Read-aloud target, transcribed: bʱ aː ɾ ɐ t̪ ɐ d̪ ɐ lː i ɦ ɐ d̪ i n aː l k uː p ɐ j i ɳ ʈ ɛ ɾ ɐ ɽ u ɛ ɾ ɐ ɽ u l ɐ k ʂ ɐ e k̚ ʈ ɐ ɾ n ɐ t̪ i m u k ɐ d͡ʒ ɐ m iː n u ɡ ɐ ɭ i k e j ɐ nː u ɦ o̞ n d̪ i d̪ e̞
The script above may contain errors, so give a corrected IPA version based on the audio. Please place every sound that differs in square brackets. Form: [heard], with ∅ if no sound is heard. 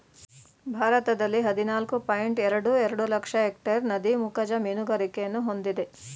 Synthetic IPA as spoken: bʱ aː ɾ ɐ t̪ ɐ d̪ ɐ lː i ɦ ɐ d̪ i n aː l k [u] p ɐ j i ɳ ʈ ɛ ɾ ɐ ɽ u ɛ ɾ ɐ ɽ u l ɐ k ʂ ɐ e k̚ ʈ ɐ ɾ n ɐ [d̪] i m u k ɐ d͡ʒ ɐ m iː n u ɡ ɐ [ɾ] i k e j ɐ nː u ɦ o̞ n d̪ i d̪ e̞